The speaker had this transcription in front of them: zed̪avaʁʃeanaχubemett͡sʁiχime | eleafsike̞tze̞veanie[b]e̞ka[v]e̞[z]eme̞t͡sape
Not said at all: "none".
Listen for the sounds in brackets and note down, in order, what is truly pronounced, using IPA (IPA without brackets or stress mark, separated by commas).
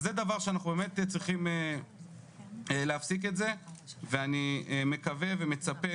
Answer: m, v, v